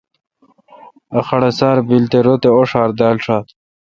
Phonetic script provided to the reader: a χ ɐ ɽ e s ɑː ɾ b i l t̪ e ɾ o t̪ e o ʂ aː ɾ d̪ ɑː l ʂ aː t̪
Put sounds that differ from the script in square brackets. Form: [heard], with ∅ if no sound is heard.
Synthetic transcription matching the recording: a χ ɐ ɽ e s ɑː ɾ b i l t̪ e ɾ o t̪ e o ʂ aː ɾ d̪ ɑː l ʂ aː t̪